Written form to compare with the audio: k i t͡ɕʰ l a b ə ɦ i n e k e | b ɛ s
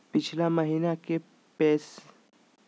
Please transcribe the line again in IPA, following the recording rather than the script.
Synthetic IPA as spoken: p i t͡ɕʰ l a m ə ɦ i n a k e | p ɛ s